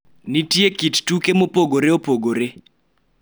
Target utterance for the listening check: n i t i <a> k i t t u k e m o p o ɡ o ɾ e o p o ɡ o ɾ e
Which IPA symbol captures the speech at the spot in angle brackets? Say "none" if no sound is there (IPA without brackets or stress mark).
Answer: e